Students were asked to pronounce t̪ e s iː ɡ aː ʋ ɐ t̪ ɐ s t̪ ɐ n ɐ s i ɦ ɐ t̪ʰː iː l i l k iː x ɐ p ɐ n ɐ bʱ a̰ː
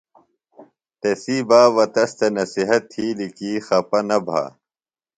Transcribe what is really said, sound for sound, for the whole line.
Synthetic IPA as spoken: t̪ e s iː b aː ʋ ɐ t̪ ɐ s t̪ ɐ n ɐ s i ɦ ɐ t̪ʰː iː l i k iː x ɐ p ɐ n ɐ bʱ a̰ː